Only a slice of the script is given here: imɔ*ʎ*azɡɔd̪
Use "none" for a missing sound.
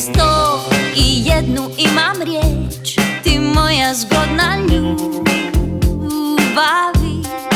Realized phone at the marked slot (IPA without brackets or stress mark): j